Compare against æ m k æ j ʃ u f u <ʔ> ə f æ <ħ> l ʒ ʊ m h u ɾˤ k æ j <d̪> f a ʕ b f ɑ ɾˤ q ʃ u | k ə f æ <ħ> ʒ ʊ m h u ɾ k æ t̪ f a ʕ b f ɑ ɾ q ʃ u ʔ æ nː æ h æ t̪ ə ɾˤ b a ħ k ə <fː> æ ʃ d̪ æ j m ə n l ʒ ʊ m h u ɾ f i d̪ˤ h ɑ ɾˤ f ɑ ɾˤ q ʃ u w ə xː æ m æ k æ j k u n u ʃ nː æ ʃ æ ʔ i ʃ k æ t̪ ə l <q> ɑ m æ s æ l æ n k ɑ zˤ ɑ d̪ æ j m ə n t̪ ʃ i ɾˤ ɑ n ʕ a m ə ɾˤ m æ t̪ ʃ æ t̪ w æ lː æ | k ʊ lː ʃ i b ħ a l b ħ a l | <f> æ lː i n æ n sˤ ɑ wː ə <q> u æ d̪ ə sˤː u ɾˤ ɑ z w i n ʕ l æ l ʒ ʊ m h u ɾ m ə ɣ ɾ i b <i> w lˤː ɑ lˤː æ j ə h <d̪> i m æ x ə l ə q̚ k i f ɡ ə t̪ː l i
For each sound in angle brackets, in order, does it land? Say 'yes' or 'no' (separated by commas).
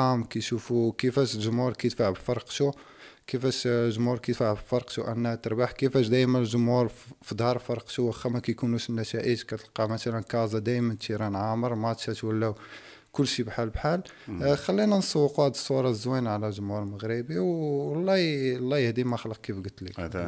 no, no, no, no, no, yes, no, yes, yes, yes